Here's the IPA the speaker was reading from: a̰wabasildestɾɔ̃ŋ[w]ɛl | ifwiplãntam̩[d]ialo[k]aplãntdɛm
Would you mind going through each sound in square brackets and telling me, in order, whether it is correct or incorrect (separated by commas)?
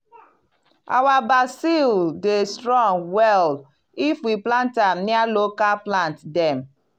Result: correct, incorrect, correct